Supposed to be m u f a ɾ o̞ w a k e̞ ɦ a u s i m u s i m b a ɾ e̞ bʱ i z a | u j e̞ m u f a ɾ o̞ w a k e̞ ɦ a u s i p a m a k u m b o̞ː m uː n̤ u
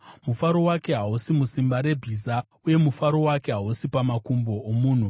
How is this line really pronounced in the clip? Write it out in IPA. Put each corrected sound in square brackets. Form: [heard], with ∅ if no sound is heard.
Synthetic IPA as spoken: m u f a ɾ o̞ w a k e̞ ɦ a u s i m u s i m b a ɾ e̞ bʱ i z a | u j e̞ m u f a ɾ o̞ w a k e̞ ɦ a u s i p a m a k u m b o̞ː m uː n̤ u